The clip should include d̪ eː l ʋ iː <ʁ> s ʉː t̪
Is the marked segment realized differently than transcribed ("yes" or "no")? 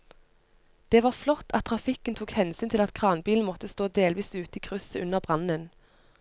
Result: yes